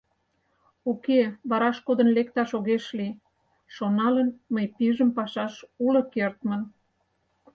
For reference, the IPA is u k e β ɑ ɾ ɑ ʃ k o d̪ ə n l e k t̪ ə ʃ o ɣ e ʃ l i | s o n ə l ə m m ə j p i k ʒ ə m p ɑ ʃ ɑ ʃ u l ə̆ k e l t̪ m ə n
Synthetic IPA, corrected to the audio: u k e β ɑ ɾ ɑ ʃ k o d̪ ə n l e k t̪ ɑ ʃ o ɣ e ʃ l i | ʃ o n ɑ l ə n m ə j p i ʒ ə m p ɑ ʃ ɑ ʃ u l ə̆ k e r t̪ m ə n